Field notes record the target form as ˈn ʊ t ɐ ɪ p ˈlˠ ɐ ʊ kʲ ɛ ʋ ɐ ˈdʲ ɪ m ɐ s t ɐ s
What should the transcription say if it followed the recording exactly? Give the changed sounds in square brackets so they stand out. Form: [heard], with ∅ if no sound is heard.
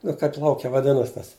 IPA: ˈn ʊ [k] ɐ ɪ p ˈlˠ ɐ ʊ kʲ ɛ ʋ ɐ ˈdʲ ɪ [n] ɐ s t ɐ s

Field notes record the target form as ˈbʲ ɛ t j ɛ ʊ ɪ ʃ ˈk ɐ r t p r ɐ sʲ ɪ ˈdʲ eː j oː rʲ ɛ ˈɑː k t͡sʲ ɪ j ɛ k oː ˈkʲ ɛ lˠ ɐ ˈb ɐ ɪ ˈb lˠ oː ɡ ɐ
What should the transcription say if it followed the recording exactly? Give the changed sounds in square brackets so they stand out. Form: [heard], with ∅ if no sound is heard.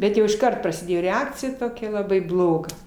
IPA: ˈbʲ ɛ t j ɛ ʊ ɪ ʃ ˈk ɐ r t p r ɐ sʲ ɪ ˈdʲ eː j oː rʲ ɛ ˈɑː k t͡sʲ ɪ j ɛ [t] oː ˈkʲ ɛ lˠ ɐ ˈb ɐ ɪ ˈb lˠ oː ɡ ɐ

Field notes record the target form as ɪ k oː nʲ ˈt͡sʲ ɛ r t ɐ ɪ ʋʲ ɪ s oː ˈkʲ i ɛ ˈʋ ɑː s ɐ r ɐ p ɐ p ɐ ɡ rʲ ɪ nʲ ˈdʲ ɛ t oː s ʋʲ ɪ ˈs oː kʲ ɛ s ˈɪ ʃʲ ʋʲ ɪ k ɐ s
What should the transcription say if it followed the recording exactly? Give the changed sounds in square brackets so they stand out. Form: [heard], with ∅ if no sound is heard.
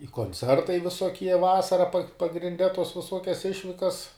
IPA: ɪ k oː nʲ ˈt͡sʲ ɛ r t ɐ ɪ ʋʲ ɪ s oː ˈkʲ i ɛ ˈʋ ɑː s ɐ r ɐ p ɐ p ɐ ɡ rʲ ɪ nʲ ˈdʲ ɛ t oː s ʋʲ ɪ ˈs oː kʲ ɛ s ˈɪ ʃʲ ʋʲ ɪ k ɐ s

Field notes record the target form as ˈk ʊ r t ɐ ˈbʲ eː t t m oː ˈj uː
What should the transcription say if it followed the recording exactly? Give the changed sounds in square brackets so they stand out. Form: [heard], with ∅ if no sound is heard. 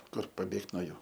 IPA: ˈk ʊ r [p] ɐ ˈbʲ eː [k] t [n] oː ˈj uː

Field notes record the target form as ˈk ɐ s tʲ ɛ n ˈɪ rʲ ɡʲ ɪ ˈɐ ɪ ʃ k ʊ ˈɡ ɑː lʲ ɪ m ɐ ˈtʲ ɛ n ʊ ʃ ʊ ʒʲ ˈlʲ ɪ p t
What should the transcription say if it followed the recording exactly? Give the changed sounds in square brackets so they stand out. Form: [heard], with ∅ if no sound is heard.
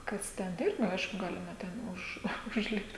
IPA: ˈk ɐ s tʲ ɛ n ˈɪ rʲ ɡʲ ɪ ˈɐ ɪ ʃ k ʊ ˈɡ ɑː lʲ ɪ m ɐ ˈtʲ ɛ n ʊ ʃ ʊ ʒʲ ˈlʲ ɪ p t

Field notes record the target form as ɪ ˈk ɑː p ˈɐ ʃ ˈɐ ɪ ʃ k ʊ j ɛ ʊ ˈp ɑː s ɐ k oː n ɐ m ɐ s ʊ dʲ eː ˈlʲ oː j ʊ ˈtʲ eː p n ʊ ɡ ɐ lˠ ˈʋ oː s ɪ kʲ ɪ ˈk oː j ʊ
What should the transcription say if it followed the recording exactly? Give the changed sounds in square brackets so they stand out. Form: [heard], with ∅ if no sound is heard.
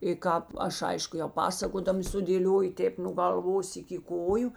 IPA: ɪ ˈk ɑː p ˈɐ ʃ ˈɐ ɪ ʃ k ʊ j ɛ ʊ ˈp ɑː s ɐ k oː [d] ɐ m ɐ s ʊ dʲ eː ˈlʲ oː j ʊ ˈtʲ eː p n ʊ ɡ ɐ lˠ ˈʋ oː s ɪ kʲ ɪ ˈk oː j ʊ

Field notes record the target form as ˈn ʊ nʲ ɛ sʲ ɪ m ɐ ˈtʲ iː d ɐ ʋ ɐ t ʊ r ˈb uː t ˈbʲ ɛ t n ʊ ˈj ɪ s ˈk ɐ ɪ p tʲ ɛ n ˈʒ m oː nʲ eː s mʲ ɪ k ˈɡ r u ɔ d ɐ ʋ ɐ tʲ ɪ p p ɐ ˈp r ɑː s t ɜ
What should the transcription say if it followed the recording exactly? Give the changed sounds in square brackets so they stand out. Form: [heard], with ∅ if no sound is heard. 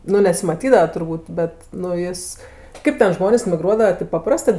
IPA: ˈn ʊ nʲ ɛ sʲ ɪ m ɐ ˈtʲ iː d ɐ ʋ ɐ t ʊ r ˈb uː t ˈbʲ ɛ t n ʊ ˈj ɪ s ˈk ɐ ɪ p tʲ ɛ n ˈʒ m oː nʲ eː s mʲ ɪ [∅] ˈɡ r u ɔ d ɐ ʋ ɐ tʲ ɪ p p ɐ ˈp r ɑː s t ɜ

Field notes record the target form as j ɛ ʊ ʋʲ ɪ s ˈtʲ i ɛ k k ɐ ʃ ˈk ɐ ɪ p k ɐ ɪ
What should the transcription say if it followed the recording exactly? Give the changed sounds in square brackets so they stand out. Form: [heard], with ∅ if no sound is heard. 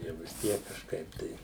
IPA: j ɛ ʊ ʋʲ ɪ s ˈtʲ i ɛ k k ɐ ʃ ˈk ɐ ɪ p [t] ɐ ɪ

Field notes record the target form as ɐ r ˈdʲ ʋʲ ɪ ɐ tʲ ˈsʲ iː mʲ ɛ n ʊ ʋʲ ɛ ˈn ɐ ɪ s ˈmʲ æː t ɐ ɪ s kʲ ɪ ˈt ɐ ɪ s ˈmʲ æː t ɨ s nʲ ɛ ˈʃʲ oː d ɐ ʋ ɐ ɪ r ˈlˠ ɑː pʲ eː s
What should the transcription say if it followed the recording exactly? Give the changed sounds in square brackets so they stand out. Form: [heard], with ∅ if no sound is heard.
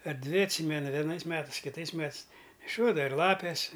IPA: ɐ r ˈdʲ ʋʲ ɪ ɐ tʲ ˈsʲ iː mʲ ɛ n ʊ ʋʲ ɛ ˈn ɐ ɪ s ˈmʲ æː t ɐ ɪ s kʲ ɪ ˈt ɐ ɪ s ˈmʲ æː t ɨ s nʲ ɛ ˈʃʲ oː d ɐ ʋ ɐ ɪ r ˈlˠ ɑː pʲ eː s

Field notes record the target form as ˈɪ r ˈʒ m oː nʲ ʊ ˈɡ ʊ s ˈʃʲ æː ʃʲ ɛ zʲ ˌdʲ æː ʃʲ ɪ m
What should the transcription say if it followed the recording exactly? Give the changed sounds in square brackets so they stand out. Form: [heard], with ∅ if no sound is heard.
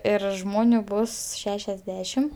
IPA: ˈɪ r ˈʒ m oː nʲ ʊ [ˈb] ʊ s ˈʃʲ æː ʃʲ ɛ zʲ ˌdʲ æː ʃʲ ɪ m

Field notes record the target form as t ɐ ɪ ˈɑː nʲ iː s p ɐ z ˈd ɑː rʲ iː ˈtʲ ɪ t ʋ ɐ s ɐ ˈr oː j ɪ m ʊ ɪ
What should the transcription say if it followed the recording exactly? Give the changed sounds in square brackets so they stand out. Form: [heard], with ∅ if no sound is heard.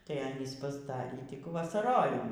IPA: t ɐ ɪ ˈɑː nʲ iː s p ɐ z ˈd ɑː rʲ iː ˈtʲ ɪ [k] ʋ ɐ s ɐ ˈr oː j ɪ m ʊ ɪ

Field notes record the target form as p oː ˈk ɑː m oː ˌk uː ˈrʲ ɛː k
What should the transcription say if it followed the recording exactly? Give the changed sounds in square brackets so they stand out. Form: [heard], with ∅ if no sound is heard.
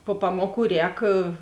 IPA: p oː [ˈp] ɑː m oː ˌk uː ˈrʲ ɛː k

